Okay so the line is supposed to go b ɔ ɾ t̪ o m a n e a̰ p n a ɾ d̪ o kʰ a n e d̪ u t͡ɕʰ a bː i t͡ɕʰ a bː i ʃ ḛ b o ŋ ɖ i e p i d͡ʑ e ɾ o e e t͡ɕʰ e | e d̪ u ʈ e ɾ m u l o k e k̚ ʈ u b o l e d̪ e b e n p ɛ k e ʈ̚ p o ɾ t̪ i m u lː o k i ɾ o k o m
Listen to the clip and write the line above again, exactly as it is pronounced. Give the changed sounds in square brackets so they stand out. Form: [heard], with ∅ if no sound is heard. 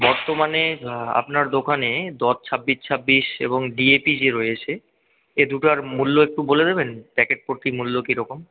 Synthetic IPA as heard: b ɔ ɾ t̪ o m a n e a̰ p n a ɾ d̪ o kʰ a n e d̪ [ɔ] t͡ɕʰ a bː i t͡ɕʰ a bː i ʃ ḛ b o ŋ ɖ i e p i d͡ʑ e ɾ o e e t͡ɕʰ e | e d̪ u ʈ [a] ɾ m u [lː] o [∅] e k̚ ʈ u b o l e d̪ e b e n p ɛ k e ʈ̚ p o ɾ t̪ i m u lː o k i ɾ [ɔ] k o m

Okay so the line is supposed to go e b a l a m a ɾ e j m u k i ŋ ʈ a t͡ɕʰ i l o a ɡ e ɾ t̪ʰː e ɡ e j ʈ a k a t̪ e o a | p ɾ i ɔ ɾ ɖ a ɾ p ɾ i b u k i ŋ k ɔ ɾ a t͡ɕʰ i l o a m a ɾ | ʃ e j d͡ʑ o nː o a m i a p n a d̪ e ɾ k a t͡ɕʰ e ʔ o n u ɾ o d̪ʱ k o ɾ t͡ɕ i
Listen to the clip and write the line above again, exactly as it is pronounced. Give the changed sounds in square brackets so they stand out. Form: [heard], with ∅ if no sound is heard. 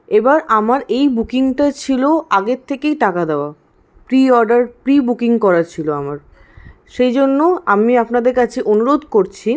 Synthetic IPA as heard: e b a [ɾ] a m a ɾ e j [b] u k i ŋ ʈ a t͡ɕʰ i l o a ɡ e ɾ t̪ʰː e [k] e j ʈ a k a [d̪] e o a | p ɾ i ɔ ɾ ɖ a ɾ p ɾ i b u k i ŋ k ɔ ɾ a t͡ɕʰ i l o a m a ɾ | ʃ e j d͡ʑ o nː o a m i a p n a d̪ e ɾ k a t͡ɕʰ e ʔ o n u ɾ o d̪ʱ k o ɾ [t͡ɕʰ] i

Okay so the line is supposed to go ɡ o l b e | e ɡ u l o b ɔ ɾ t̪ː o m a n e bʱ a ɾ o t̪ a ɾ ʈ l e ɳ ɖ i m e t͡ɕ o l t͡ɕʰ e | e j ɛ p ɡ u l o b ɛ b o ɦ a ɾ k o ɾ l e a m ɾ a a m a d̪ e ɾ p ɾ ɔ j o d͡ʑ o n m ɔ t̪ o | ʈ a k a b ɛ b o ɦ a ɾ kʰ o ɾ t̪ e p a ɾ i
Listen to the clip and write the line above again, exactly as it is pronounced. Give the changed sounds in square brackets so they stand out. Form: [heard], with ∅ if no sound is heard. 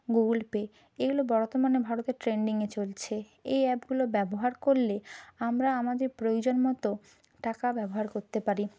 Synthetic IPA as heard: ɡ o l [p] e | e ɡ u l o b ɔ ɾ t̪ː o m a n e bʱ a ɾ o t̪ [e] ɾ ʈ [ɾ] e ɳ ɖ i [ŋ] e t͡ɕ o l t͡ɕʰ e | e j ɛ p ɡ u l o b ɛ b o ɦ a ɾ k o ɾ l e a m ɾ a a m a d̪ e ɾ p ɾ [o] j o d͡ʑ o n m ɔ t̪ o | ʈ a k a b ɛ b o ɦ a ɾ [k] o ɾ t̪ e p a ɾ i

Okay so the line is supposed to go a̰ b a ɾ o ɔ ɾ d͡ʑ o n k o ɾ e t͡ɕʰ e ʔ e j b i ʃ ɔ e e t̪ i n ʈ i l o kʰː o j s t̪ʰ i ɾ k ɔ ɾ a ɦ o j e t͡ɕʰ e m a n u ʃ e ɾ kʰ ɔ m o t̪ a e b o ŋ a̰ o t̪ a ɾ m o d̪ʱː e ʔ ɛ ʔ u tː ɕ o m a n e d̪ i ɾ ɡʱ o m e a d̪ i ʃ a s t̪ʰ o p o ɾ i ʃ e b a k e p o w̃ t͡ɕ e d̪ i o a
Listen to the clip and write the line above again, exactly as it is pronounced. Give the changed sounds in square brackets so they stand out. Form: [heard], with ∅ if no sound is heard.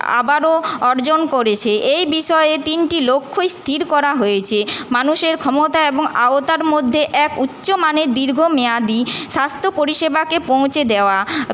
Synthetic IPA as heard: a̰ b a ɾ o ɔ ɾ d͡ʑ o n k o ɾ e t͡ɕʰ e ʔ e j b i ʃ ɔ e e t̪ i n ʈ i l o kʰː o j s t̪ʰ i ɾ k ɔ ɾ a ɦ o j e t͡ɕʰ e m a n u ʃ e ɾ kʰ ɔ m o t̪ a e b o ŋ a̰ o t̪ a ɾ m o d̪ʱː e ʔ ɛ [k] u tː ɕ o m a n e d̪ i ɾ ɡʱ o m e a d̪ i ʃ a s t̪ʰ o p o ɾ i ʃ e b a k e p o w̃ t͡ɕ e d̪ [e] o a

